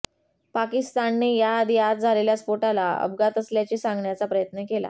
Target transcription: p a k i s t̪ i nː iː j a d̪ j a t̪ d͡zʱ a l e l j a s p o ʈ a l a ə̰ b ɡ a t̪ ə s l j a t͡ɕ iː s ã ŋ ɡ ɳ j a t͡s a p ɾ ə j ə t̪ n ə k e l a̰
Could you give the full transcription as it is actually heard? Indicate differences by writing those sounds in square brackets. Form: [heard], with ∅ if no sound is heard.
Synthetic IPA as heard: p a k i s t̪ [a] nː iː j a d̪ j a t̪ d͡zʱ a l e l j a s p o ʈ a l a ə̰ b ɡ a t̪ ə s l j a t͡ɕ iː s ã ŋ ɡ ɳ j a t͡s a p ɾ ə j ə t̪ n ə k e l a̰